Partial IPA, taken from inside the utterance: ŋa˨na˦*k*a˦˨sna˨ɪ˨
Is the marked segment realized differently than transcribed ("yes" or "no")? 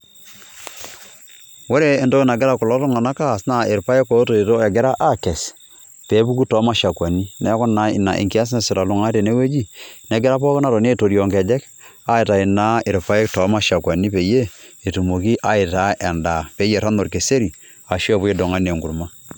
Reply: no